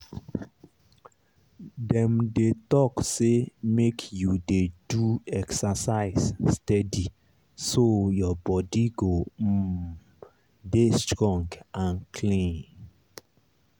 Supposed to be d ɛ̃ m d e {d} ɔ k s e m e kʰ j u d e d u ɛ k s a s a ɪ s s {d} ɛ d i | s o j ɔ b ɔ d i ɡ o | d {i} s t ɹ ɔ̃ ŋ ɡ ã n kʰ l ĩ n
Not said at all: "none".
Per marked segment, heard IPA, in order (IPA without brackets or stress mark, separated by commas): t, t, e